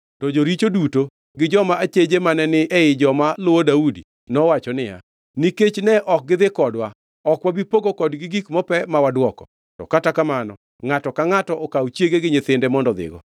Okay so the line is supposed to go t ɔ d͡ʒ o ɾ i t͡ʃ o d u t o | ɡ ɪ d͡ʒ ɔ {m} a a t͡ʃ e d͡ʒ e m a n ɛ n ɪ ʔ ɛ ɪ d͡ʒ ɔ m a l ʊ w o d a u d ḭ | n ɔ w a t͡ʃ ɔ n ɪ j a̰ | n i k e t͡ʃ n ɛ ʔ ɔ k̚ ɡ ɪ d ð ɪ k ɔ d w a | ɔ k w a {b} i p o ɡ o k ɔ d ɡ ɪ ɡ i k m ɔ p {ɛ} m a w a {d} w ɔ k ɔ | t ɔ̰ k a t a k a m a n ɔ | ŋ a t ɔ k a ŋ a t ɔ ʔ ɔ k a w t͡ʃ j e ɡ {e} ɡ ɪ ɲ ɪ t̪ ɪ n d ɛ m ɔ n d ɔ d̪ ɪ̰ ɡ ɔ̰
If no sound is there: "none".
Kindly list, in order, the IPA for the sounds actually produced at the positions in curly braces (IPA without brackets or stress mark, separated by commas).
m, b, ɛ, d, e